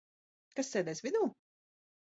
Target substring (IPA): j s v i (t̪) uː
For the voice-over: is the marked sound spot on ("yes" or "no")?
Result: no